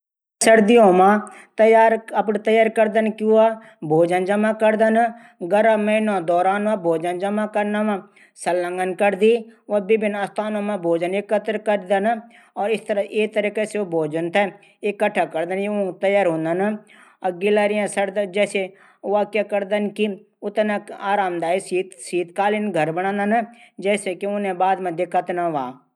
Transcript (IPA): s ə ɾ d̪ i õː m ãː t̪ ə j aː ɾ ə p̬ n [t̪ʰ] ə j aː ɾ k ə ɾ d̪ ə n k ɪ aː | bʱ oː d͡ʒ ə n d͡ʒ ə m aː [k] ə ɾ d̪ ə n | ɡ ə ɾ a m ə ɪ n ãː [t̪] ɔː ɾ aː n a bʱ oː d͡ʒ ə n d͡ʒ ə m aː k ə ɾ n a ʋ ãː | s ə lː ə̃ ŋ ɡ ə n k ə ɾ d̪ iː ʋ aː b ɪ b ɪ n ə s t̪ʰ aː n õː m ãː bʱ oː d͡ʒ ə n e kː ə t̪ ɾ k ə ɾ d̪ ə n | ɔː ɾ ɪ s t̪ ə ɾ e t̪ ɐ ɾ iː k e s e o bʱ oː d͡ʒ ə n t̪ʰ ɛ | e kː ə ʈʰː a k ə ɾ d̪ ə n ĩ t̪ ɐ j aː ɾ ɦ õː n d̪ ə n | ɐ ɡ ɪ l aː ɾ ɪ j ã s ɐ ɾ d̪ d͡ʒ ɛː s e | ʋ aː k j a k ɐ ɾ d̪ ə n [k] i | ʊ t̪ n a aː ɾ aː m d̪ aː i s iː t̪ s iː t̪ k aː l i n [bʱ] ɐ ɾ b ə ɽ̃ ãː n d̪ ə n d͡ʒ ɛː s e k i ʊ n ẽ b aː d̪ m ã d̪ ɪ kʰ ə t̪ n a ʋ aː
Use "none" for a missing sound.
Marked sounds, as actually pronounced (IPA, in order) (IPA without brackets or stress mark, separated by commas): t̪, k, d̪, k, ɡʱ